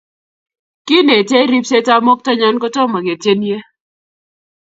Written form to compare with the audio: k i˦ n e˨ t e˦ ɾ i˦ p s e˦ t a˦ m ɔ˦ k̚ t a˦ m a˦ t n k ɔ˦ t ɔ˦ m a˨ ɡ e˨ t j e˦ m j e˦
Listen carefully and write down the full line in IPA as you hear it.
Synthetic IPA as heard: k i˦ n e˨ t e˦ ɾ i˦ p s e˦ t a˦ m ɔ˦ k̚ t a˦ ɲ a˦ n k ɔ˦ t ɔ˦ m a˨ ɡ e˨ t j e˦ n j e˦

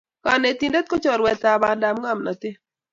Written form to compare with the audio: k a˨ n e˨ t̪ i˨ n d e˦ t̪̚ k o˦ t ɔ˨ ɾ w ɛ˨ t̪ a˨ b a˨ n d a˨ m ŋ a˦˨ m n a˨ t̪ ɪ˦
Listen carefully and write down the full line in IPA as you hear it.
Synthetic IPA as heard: k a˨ n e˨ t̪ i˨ n d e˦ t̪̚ k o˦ t͡ʃ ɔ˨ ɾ w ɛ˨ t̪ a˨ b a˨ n d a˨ m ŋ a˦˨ m n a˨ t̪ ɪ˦

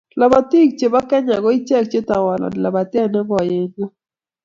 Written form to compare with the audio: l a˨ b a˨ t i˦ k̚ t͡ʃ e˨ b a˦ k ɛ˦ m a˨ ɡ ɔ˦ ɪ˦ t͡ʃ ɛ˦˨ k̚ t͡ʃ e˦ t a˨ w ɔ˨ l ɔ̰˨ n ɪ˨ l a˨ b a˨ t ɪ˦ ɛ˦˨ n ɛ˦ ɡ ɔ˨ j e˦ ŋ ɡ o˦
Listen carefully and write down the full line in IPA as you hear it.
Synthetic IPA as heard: l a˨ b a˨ t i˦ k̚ t͡ʃ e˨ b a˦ k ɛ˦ ɲ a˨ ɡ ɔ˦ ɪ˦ t͡ʃ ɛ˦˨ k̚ t͡ʃ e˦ t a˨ w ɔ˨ l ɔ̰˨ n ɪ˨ l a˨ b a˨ t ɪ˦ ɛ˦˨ n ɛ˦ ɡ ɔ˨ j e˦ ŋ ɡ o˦

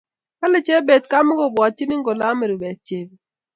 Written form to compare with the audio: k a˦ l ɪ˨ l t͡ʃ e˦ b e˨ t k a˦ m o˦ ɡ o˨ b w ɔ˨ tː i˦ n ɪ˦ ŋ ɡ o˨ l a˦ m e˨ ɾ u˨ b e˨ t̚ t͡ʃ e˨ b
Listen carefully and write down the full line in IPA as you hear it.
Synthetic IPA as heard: k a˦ l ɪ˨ t͡ʃ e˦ b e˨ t k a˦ m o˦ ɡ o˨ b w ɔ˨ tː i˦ n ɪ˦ ŋ ɡ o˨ l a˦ m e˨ ɾ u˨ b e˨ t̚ t͡ʃ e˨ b

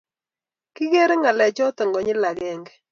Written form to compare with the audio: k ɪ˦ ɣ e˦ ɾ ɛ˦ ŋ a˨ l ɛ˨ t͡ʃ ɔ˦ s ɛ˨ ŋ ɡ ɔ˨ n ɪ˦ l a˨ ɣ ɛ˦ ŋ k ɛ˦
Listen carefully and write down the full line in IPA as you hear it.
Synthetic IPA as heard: k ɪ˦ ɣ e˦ ɾ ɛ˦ ŋ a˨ l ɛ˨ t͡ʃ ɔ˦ t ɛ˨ ŋ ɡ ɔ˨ ɲ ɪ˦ l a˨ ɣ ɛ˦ ŋ ɡ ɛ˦

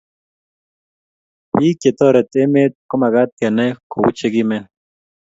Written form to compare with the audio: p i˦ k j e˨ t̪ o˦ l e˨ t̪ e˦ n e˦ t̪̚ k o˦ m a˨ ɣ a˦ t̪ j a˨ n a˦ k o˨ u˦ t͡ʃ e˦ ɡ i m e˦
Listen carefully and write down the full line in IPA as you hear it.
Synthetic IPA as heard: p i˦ k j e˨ t̪ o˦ ɾ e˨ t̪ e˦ m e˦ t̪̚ k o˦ m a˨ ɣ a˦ t̪ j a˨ n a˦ k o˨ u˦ t͡ʃ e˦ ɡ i m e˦

